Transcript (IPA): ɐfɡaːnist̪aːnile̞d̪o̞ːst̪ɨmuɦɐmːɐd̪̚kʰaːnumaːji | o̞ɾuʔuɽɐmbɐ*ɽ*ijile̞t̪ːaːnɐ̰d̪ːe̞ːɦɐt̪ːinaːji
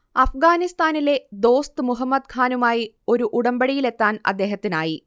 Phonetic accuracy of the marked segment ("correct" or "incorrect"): correct